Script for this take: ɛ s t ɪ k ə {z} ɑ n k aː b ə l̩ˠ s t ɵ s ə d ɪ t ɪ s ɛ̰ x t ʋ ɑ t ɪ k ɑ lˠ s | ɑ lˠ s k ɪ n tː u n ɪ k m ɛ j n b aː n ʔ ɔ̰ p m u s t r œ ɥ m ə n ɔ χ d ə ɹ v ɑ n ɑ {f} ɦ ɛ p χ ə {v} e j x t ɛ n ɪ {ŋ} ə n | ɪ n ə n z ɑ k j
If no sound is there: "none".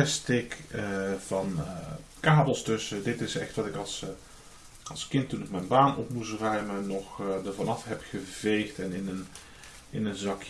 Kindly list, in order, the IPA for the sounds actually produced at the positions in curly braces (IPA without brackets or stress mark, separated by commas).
v, f, v, n